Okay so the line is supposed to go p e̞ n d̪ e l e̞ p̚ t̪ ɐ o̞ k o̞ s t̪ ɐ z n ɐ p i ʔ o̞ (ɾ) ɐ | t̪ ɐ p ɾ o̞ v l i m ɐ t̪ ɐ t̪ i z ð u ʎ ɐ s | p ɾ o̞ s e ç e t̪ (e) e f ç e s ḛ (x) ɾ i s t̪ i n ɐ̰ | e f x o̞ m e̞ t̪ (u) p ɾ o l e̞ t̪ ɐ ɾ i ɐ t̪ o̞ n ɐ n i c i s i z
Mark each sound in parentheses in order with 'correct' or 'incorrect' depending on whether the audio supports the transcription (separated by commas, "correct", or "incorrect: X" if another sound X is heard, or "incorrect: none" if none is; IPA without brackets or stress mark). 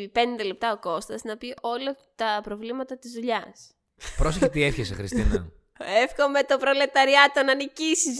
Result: incorrect: l, incorrect: i, correct, incorrect: o